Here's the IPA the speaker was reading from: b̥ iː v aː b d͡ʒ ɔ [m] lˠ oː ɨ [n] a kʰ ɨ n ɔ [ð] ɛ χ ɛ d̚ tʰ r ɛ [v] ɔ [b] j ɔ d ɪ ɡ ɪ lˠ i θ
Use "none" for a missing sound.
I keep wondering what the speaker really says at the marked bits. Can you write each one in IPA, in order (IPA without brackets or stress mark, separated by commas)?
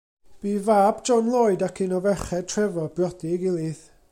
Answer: n, d, v, v, b